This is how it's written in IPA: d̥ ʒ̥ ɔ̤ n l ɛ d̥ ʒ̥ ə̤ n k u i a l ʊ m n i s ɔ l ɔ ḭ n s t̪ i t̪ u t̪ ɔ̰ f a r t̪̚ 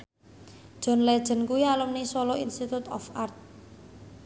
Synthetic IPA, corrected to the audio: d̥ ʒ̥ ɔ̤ n l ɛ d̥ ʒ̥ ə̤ n k u i a l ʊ m n i s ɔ l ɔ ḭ n s t̪ i t̪ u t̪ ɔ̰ f a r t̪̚